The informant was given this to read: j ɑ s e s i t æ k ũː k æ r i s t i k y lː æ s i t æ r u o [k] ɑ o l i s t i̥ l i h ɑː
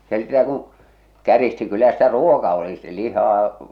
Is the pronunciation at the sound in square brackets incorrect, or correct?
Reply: correct